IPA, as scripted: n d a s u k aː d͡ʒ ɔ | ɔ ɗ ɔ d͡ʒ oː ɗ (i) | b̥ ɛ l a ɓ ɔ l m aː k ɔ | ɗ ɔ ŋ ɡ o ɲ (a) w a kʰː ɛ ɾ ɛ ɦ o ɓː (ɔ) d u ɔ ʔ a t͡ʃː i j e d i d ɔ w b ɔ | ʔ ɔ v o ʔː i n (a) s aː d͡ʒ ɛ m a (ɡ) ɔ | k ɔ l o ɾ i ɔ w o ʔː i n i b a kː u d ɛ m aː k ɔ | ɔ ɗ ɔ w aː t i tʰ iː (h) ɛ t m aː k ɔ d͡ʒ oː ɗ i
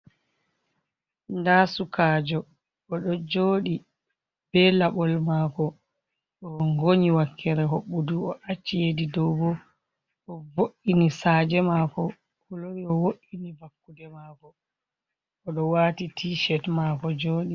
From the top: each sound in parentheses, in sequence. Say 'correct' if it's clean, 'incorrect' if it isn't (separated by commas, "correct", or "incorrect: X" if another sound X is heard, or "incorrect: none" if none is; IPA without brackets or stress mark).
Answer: correct, incorrect: i, incorrect: u, incorrect: i, incorrect: k, incorrect: ʃ